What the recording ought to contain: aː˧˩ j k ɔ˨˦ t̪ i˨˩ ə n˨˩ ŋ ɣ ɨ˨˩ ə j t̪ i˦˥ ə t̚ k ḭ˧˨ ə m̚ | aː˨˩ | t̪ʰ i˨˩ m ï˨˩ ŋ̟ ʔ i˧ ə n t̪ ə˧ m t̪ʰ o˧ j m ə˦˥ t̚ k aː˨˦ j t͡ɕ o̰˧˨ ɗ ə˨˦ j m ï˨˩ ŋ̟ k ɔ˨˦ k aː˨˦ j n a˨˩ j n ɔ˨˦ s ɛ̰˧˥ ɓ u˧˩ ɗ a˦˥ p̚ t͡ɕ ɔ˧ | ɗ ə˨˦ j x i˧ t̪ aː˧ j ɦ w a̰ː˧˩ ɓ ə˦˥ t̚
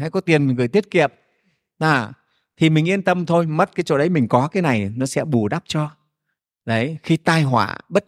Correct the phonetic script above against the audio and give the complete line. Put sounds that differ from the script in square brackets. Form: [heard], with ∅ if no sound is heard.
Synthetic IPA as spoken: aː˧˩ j k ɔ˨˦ t̪ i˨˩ ə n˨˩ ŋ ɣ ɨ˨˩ ə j t̪ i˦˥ ə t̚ k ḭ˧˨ ə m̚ | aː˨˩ | t̪ʰ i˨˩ m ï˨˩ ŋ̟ ʔ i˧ ə n t̪ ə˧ m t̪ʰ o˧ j m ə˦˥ t̚ k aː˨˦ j t͡ɕ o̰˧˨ ɗ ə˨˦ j m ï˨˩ ŋ̟ k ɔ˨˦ k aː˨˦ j n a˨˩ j n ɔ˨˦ s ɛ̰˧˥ ɓ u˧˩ ɗ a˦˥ p̚ t͡ɕ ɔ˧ | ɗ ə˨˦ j x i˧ t̪ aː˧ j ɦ w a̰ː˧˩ ɓ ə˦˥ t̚